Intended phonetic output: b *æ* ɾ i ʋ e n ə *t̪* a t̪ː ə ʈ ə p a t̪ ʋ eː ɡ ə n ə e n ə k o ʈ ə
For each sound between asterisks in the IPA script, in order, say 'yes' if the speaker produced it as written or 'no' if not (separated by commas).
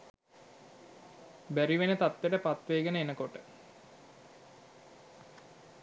yes, yes